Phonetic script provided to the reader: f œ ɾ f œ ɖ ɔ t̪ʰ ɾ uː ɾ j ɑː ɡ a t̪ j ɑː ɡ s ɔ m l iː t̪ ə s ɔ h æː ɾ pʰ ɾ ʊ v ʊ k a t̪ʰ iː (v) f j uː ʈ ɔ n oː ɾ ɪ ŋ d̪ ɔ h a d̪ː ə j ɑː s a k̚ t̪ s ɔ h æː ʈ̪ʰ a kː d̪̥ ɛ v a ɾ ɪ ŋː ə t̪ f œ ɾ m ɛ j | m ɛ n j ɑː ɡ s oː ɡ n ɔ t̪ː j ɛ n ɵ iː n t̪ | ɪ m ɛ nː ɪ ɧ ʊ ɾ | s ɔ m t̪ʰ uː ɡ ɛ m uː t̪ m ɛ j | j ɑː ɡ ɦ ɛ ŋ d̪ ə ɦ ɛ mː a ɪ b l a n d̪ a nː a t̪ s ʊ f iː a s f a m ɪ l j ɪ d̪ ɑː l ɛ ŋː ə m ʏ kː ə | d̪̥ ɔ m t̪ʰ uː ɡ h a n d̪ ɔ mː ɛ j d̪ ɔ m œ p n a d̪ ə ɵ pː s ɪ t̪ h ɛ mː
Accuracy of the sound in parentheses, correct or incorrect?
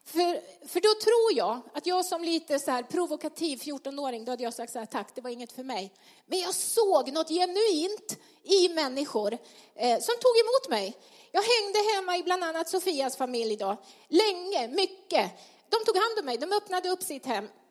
correct